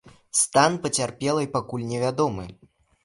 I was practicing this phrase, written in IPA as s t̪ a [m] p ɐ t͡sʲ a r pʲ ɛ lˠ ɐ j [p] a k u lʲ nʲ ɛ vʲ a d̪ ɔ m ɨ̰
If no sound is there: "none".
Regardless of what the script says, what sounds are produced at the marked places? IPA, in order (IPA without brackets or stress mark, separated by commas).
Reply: n, p